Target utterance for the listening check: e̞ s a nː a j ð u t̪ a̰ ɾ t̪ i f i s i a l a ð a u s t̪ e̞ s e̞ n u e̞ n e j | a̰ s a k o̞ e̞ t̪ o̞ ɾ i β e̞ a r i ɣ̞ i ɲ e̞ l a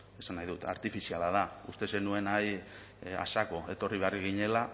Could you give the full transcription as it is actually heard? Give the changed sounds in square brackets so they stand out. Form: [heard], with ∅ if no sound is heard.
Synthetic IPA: e̞ s a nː a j ð u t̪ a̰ ɾ t̪ i f i s i a l a ð a u s t̪ e̞ s e̞ n u e̞ n [a] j | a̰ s a k o̞ e̞ t̪ o̞ [r] i β e̞ a r i ɣ̞ i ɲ e̞ l a